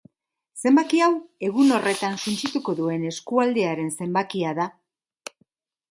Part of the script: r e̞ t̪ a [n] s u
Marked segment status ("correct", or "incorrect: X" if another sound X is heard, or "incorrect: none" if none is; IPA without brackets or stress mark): correct